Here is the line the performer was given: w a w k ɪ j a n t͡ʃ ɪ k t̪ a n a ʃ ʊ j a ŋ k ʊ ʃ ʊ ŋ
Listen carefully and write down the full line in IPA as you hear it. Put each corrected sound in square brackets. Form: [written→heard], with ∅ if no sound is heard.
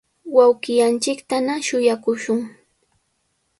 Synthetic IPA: w a w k ɪ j a n t͡ʃ ɪ k t̪ a n a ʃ ʊ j a [ŋ→∅] k ʊ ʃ ʊ ŋ